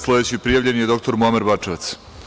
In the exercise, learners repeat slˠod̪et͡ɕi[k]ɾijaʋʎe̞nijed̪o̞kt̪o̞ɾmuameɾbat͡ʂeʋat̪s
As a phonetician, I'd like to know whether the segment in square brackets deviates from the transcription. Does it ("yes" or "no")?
yes